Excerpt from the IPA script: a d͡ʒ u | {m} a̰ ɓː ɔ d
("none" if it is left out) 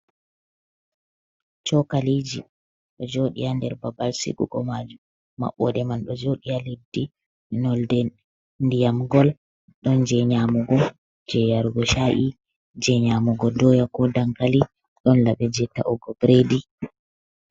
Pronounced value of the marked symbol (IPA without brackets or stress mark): m